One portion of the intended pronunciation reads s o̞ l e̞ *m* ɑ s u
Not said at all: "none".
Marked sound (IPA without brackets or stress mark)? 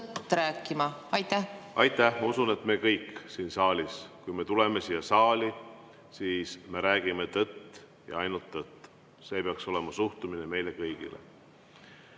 m